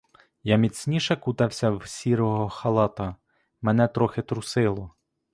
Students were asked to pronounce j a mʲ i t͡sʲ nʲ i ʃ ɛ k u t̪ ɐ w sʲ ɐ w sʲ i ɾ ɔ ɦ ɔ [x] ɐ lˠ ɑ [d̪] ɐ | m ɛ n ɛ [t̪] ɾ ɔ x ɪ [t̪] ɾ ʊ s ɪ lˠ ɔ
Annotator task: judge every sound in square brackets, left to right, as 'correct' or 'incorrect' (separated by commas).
correct, incorrect, correct, correct